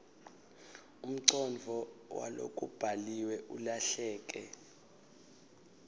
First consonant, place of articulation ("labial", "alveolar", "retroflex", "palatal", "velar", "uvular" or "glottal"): labial